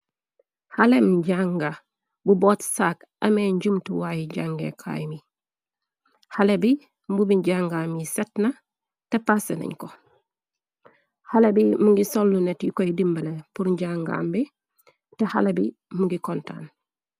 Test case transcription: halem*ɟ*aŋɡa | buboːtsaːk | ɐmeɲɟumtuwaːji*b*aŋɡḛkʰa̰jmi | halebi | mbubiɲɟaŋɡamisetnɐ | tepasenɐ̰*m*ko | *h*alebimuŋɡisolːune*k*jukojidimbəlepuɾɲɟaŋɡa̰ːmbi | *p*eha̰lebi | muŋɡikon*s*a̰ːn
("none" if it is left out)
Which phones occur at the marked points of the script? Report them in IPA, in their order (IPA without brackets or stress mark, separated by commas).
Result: ɟ, ɟ, ɲ, h, t, t, t